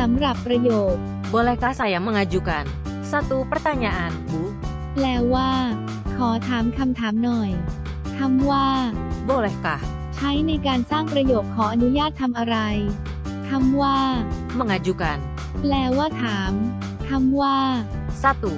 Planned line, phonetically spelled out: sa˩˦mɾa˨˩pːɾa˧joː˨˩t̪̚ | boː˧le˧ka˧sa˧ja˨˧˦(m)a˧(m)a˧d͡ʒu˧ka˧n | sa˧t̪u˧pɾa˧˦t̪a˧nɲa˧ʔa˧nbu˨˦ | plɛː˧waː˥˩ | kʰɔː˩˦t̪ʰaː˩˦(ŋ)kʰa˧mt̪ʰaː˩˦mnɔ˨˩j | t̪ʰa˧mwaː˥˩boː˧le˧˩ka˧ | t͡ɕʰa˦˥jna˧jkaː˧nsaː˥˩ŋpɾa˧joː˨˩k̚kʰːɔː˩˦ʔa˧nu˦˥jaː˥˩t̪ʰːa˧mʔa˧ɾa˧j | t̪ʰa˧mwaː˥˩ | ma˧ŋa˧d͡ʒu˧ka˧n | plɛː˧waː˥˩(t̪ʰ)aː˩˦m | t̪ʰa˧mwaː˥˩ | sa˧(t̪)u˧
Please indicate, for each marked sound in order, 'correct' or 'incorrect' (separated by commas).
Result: correct, incorrect, incorrect, correct, correct